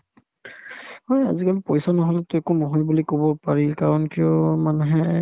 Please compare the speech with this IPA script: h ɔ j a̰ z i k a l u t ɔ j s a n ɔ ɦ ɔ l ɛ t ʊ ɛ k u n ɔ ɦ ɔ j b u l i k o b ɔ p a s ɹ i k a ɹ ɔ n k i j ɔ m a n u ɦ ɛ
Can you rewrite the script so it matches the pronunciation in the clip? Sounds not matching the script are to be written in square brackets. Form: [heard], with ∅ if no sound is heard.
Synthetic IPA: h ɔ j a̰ z i k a l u [p] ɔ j s a n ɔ ɦ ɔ l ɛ t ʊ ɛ k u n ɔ ɦ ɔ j b u l i k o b ɔ p a [∅] ɹ i k a ɹ ɔ n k i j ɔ m a n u ɦ ɛ